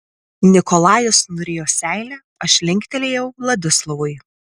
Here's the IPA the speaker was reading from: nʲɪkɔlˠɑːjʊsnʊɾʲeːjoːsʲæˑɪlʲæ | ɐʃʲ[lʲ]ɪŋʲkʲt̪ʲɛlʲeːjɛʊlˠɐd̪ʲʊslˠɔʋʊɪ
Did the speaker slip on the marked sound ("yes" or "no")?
no